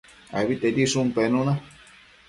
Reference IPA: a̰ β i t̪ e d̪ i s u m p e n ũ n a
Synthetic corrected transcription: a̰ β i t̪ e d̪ i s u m p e n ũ n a